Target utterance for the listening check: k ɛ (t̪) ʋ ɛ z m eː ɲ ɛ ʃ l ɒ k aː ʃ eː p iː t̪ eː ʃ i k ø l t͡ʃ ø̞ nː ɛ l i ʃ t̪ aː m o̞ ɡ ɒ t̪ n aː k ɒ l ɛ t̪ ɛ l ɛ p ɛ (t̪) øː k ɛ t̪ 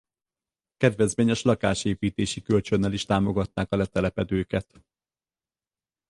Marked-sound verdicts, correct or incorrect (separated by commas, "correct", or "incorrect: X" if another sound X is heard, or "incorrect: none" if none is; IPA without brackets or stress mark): incorrect: d̪, incorrect: d̪